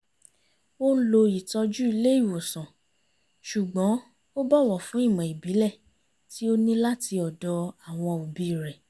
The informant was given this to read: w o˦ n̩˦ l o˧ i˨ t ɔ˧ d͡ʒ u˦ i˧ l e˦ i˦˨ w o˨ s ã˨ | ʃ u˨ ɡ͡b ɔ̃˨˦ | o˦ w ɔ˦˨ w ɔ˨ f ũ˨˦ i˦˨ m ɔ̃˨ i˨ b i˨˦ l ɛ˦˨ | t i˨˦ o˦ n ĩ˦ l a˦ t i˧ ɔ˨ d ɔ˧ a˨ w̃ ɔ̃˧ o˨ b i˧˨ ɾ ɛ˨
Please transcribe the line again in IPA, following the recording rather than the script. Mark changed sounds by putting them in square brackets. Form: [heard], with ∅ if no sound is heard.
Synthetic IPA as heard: w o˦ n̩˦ l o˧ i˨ t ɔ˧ d͡ʒ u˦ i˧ l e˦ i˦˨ w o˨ s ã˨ | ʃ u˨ ɡ͡b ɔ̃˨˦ | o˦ [b] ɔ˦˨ w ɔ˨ f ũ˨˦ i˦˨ m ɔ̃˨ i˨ b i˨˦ l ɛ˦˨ | t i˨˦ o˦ n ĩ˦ l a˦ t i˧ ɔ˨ d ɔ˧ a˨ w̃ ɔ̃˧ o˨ b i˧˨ ɾ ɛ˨

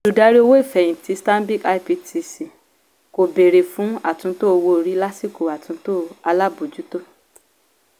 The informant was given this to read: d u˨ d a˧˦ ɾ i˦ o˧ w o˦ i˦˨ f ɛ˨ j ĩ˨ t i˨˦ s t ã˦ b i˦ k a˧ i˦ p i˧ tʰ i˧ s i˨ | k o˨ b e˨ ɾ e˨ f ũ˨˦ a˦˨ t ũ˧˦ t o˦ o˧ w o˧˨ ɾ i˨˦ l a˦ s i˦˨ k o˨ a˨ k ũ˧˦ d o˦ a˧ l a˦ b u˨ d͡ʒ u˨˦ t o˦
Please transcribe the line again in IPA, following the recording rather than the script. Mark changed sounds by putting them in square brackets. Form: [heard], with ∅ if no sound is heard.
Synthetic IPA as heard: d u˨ d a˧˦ ɾ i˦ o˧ w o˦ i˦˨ f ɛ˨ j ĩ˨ t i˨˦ s t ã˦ b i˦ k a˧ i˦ p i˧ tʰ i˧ s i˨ | k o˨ b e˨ ɾ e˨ f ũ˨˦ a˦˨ t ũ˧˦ t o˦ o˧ w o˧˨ ɾ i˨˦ l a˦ s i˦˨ k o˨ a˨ [t] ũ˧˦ [t] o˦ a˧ l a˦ b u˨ d͡ʒ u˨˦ t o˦

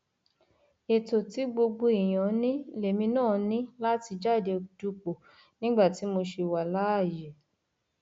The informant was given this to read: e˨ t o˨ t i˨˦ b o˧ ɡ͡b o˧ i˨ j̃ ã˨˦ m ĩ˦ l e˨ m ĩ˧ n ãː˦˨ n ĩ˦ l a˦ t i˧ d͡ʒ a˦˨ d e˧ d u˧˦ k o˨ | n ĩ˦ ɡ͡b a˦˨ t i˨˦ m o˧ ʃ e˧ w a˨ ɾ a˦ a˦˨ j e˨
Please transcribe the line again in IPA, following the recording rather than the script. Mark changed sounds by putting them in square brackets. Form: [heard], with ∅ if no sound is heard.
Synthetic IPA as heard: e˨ t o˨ t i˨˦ [ɡ͡b] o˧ ɡ͡b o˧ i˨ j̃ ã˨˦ [n] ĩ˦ l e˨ m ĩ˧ n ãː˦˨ n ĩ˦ l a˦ t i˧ d͡ʒ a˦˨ d e˧ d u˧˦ [k͡p] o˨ | n ĩ˦ ɡ͡b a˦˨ t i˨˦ m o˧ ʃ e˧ w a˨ [l] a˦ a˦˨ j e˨

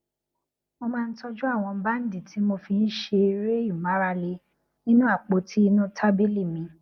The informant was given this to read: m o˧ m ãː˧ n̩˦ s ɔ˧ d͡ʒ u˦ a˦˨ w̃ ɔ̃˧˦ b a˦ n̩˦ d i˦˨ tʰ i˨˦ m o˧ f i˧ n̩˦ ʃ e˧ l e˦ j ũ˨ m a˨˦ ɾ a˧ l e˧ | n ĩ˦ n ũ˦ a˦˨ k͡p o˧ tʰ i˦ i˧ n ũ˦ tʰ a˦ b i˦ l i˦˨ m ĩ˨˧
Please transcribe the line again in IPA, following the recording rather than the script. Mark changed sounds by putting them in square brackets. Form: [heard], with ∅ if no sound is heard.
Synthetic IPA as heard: m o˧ m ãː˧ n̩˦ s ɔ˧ d͡ʒ u˦ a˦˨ w̃ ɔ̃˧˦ b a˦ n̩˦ d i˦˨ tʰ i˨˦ m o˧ f i˧ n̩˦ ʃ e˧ [ɾ] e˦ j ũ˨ m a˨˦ ɾ a˧ l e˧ | n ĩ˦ n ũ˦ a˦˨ k͡p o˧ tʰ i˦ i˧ n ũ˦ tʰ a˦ b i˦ l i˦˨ m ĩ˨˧

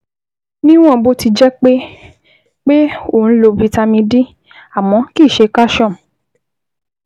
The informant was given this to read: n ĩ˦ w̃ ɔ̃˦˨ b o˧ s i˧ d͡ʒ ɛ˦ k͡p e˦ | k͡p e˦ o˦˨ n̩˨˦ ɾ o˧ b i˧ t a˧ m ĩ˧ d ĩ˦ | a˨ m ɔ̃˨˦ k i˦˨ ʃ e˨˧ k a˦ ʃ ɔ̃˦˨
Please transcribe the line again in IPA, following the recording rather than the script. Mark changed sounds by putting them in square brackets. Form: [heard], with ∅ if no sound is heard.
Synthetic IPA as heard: n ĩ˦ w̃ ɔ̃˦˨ b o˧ [t] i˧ d͡ʒ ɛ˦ k͡p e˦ | k͡p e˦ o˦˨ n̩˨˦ [l] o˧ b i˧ t a˧ m ĩ˧ d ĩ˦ | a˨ m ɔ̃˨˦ k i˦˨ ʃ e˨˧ k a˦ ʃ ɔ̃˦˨

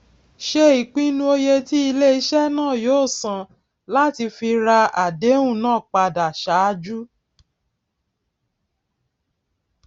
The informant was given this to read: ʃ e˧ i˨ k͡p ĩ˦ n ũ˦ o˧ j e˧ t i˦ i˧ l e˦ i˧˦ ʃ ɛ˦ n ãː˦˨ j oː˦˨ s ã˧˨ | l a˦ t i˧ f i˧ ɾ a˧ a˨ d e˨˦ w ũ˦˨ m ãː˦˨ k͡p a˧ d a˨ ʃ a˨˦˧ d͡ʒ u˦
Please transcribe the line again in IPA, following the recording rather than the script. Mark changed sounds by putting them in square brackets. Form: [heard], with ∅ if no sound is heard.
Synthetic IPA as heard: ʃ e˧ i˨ k͡p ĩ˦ n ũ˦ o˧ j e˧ t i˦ i˧ l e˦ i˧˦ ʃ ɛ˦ n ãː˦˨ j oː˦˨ s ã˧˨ | l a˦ t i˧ f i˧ ɾ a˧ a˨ d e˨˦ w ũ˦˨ [n] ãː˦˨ k͡p a˧ d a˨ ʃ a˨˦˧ d͡ʒ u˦

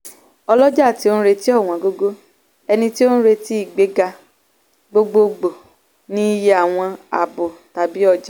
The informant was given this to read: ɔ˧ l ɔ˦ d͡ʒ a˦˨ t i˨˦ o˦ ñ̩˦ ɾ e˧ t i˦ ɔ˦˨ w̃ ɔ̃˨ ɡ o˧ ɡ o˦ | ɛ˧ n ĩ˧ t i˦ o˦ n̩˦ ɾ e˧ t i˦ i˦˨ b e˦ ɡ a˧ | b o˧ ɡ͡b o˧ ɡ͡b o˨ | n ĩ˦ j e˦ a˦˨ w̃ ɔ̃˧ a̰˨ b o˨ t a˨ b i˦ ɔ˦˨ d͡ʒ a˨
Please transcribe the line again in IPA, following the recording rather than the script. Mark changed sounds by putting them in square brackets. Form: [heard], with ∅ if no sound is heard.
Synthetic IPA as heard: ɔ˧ l ɔ˦ d͡ʒ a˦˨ t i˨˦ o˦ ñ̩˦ ɾ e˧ t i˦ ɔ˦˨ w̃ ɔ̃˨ ɡ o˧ ɡ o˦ | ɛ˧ n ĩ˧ t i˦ o˦ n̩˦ ɾ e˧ t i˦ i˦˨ [ɡ͡b] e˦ ɡ a˧ | [ɡ͡b] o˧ ɡ͡b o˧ ɡ͡b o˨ | n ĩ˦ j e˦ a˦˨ w̃ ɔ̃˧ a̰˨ b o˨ t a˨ b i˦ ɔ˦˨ d͡ʒ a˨

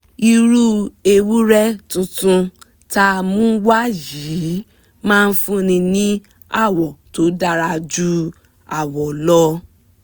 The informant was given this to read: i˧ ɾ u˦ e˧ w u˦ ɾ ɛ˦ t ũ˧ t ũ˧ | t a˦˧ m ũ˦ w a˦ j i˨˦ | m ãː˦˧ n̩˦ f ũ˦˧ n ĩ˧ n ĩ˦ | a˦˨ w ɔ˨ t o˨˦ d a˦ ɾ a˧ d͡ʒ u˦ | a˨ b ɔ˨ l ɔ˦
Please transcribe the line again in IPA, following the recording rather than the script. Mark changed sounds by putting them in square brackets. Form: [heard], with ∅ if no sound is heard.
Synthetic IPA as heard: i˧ ɾ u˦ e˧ w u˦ ɾ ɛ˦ t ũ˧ t ũ˧ | t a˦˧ m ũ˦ w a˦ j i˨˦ | m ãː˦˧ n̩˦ f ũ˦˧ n ĩ˧ n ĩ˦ | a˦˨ w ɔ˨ t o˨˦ d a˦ ɾ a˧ d͡ʒ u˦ | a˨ [w] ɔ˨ l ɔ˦

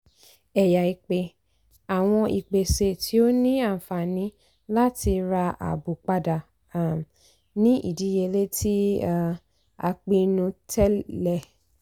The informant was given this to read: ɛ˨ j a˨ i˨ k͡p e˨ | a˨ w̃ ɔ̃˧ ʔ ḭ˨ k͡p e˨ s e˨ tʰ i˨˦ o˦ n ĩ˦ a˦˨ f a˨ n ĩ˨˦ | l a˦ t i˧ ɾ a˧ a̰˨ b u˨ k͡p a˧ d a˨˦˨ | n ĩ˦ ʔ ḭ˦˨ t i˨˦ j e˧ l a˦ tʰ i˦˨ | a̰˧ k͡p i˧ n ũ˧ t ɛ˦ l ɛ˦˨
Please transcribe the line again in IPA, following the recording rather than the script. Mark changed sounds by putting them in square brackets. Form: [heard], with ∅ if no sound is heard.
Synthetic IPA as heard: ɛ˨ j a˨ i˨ k͡p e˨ | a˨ w̃ ɔ̃˧ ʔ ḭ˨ k͡p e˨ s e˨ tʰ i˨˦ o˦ n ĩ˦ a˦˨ f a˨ n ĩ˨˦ | l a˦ t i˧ ɾ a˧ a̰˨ b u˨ k͡p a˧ d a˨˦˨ | n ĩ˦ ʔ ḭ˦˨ [d] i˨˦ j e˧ l [e˦] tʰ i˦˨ | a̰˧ k͡p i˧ n ũ˧ t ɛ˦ l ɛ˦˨

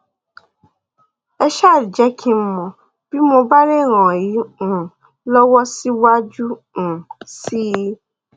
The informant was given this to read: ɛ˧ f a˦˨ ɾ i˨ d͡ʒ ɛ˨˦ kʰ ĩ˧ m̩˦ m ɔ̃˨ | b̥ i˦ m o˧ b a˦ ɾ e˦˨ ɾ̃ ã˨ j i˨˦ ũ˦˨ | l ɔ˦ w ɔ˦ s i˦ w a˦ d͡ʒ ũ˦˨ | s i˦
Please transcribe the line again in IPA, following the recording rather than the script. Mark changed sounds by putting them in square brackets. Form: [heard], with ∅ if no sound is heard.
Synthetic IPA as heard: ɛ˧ [ʃ] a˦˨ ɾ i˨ d͡ʒ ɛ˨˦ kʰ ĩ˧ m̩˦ m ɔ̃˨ | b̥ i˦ m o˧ b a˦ ɾ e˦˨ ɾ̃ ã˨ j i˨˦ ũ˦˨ | l ɔ˦ w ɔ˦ s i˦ w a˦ d͡ʒ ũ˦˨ | s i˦

